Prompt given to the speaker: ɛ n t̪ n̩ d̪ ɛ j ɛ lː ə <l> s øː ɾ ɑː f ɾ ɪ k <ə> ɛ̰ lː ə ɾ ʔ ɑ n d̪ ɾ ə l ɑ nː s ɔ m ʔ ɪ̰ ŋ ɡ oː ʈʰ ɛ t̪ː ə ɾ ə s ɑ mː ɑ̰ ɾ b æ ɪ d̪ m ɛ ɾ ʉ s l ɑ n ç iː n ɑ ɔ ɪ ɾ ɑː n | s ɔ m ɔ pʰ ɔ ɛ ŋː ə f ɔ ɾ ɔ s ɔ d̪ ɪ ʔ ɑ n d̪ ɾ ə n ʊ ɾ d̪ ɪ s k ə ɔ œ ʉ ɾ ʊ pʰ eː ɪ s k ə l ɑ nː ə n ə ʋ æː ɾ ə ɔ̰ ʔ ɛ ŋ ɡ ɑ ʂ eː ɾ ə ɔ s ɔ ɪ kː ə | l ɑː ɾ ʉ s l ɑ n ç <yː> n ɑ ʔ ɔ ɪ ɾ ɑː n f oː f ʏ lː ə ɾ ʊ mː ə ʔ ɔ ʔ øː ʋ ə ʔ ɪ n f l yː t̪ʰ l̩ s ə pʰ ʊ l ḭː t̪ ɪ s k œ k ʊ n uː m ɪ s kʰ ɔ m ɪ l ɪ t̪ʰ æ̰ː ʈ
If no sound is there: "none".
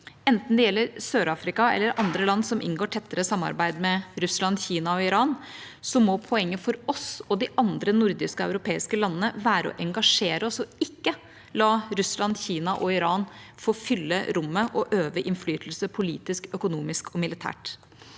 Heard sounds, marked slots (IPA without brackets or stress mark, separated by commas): ɾ, ɑ, iː